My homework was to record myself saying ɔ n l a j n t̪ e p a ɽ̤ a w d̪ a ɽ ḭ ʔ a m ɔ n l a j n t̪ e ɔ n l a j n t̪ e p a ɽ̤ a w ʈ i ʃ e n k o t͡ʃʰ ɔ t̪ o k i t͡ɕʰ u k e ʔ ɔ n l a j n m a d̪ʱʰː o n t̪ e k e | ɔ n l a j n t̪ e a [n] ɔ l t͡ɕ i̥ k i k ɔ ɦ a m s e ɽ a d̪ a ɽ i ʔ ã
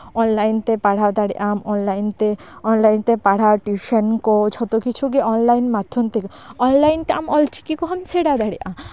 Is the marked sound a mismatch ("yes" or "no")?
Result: yes